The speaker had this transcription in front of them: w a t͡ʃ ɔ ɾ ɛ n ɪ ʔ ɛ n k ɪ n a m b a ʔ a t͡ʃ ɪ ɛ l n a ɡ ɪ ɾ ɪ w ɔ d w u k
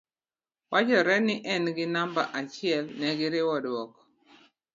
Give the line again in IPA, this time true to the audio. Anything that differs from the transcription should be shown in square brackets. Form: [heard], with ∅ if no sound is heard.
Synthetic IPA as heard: w a t͡ʃ ɔ ɾ ɛ n ɪ ʔ ɛ n [ɡ] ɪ n a m b a ʔ a t͡ʃ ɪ ɛ l n [ɛ] ɡ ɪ ɾ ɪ w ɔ d w [ɔ] k